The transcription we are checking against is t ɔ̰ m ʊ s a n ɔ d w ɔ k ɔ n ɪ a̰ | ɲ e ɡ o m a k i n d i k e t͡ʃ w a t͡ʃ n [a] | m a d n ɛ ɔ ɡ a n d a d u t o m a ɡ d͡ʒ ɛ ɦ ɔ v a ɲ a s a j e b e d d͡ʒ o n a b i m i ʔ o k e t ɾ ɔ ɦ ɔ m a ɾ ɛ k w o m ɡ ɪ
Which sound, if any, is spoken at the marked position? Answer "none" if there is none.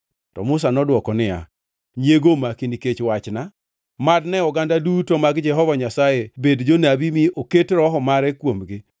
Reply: a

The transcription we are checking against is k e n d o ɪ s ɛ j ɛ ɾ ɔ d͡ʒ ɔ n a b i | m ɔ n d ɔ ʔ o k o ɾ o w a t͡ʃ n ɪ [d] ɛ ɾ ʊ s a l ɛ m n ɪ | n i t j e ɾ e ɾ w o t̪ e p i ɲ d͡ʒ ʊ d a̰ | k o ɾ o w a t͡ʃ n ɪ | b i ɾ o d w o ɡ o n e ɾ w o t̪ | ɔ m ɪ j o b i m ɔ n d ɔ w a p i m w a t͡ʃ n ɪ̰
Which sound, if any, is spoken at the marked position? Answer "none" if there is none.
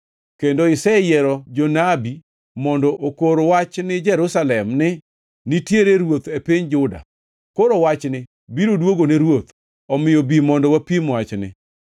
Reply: d͡ʒ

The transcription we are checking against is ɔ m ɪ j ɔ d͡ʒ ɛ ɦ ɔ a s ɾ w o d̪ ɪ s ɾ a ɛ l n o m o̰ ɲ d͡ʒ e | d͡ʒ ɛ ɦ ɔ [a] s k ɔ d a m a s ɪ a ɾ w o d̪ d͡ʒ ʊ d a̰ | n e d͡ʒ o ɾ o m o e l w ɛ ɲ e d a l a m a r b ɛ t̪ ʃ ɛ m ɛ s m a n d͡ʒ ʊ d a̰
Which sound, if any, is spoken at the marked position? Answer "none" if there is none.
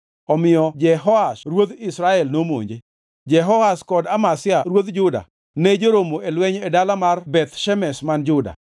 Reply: a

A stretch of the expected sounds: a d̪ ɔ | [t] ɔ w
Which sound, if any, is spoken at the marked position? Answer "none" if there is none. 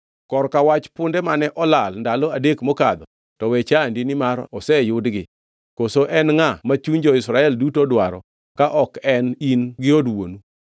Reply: t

